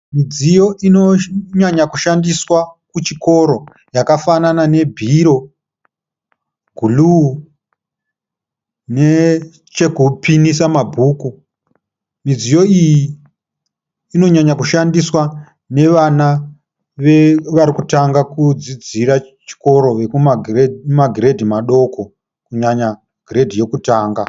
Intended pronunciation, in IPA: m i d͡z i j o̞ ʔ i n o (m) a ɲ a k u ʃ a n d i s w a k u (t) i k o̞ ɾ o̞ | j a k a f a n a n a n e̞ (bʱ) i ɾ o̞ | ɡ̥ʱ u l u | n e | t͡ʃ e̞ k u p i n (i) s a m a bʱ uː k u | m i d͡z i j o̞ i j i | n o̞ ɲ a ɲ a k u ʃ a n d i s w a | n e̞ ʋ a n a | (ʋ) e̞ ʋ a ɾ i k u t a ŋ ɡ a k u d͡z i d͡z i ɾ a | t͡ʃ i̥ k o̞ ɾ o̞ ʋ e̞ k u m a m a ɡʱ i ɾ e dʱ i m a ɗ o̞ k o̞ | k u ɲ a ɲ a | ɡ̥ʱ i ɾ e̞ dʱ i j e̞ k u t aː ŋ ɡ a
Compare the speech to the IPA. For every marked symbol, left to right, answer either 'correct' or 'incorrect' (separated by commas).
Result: incorrect, incorrect, correct, correct, correct